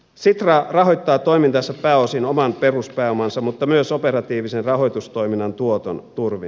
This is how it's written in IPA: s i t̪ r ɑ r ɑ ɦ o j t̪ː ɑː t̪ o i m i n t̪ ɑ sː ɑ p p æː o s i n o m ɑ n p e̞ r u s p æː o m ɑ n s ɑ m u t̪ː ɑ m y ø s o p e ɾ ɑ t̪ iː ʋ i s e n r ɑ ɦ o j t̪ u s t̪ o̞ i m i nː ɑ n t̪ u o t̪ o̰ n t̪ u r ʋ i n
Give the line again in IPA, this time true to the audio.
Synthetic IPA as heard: s i t̪ r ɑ r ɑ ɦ o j t̪ː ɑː t̪ o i m i n t̪ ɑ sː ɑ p p æː o s i n o m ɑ n p e̞ r u s p æː o m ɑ n s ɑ m u t̪ː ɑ m y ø s o p e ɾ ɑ t̪ iː ʋ i s e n r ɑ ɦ o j t̪ u s t̪ o̞ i m i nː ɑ n t̪ u o t̪ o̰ n t̪ u r ʋ i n

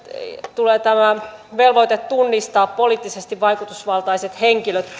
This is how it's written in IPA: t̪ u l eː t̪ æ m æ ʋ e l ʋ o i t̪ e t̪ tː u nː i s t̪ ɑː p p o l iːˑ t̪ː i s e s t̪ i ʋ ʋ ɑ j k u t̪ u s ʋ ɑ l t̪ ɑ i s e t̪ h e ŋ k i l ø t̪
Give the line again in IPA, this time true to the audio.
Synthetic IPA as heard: t̪ u l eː t̪ æ m æ ʋ e l ʋ o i t̪ e t̪ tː u nː i s t̪ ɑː p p o l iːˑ t̪ː i s e s t̪ i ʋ ʋ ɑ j k u t̪ u s ʋ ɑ l t̪ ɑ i s e t̪ h e ŋ k i l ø t̪

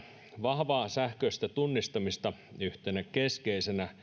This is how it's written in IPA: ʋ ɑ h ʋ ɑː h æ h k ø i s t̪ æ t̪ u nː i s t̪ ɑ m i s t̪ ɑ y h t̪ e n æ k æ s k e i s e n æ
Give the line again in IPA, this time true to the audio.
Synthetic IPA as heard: ʋ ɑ h ʋ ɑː s æ h k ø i s t̪ æ t̪ u nː i s t̪ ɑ m i s t̪ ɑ y h t̪ e n æ k e s k e i s e n æ

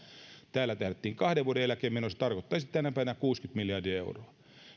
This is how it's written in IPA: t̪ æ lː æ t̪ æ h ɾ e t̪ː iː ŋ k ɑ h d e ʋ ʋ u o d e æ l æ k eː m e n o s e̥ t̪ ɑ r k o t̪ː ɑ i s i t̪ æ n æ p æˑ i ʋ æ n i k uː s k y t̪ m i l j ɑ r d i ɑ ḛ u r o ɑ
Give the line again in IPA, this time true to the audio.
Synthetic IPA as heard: t̪ æː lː æ t̪ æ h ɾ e t̪ː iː ŋ k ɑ h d e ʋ ʋ u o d e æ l æ k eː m e n o s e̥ t̪ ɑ r k o t̪ː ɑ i s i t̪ æ n æ p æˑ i ʋ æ n æ k uː s k y t̪ m i l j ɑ r d i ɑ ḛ u r o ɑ

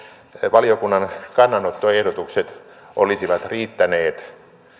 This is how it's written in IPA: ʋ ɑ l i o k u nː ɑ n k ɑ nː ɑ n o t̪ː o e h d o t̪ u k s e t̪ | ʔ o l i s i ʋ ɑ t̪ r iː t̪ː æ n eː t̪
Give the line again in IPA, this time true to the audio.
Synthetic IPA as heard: ʋ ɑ l i o k u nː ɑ n k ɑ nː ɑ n o t̪ː o e h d o t̪ u k s e t̪ | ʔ o l i s i ʋ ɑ t̪ r iː t̪ː æ n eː t̪

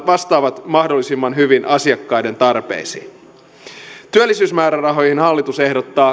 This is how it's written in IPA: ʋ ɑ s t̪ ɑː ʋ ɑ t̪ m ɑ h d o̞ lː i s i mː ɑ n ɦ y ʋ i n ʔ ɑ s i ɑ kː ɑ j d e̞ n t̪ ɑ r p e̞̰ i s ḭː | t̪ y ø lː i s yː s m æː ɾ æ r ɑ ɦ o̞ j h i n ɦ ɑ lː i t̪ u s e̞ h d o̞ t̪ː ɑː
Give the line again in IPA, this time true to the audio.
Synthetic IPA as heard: ʋ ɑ s t̪ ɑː ʋ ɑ t̪ m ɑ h d o̞ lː i s i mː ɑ n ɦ y ʋ i n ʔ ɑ s i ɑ kː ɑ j d e̞ n t̪ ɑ r p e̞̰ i s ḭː | t̪ y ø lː i s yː s m æː ɾ æ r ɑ ɦ o̞ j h i n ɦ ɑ lː i t̪ u s e̞ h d o̞ t̪ː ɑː

